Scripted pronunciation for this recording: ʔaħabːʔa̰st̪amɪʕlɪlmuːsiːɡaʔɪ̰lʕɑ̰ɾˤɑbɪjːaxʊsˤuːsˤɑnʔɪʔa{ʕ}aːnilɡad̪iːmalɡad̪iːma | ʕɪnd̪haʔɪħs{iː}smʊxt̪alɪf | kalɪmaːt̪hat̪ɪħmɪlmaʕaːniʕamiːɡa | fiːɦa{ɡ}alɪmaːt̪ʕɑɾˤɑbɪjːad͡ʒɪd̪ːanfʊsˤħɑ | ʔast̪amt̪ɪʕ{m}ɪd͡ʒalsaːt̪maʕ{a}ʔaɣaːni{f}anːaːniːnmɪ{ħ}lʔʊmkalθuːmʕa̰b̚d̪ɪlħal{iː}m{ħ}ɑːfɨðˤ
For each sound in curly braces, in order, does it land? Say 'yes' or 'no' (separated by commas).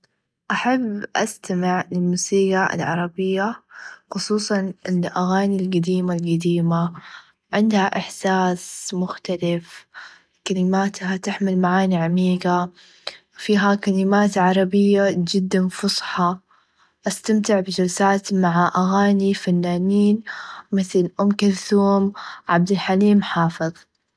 no, no, no, no, yes, yes, no, yes, yes